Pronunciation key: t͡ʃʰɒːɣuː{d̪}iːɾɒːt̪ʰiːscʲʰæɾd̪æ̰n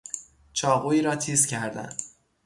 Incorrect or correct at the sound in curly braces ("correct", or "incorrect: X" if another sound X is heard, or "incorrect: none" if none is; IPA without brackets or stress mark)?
incorrect: none